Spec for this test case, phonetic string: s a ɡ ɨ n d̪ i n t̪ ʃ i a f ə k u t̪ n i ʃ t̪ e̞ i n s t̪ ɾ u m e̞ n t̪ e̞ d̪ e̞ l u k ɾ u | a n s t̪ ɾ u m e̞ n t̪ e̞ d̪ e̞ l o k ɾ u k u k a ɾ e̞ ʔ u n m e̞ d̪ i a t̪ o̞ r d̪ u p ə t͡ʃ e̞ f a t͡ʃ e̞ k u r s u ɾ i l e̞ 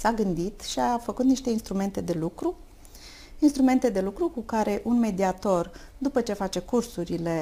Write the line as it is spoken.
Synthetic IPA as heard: s a ɡ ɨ n d̪ i t̪ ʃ i a f ə k u t̪ n i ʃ t̪ e̞ i n s t̪ ɾ u m e̞ n t̪ e̞ d̪ e̞ l u k ɾ u | i n s t̪ ɾ u m e̞ n t̪ e̞ d̪ e̞ l u k ɾ u k u k a ɾ e̞ ʔ u n m e̞ d̪ i a t̪ o̞ r d̪ u p ə t͡ʃ e̞ f a t͡ʃ e̞ k u r s u ɾ i l e̞